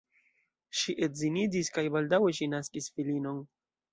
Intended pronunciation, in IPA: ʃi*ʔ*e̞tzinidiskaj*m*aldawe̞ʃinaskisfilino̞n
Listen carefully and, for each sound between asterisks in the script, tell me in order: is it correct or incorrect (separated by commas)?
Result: correct, incorrect